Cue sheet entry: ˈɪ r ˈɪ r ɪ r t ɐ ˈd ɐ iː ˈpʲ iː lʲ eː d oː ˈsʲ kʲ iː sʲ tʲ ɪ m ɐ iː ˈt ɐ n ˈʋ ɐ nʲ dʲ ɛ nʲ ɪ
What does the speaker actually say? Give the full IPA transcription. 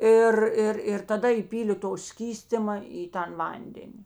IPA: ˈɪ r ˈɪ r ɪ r t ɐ ˈd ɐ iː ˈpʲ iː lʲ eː t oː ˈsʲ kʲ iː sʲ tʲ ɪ m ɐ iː ˈt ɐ n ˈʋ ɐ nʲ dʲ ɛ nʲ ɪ